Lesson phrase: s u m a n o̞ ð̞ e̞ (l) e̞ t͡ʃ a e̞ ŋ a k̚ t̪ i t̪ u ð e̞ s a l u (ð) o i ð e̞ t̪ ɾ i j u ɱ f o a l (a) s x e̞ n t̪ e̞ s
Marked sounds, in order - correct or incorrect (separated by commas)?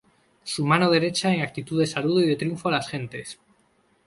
incorrect, correct, correct